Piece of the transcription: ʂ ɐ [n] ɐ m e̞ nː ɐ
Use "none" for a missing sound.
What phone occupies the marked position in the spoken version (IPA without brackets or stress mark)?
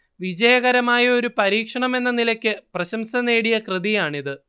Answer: ɳ